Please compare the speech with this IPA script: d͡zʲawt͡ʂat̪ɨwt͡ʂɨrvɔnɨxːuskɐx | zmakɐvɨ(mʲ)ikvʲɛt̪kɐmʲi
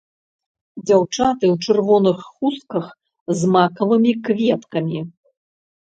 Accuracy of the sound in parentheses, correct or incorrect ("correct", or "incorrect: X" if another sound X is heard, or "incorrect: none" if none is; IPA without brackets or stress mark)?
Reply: correct